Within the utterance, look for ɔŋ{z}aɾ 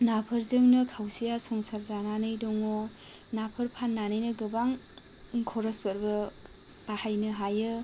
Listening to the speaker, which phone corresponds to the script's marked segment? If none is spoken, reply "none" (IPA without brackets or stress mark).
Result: s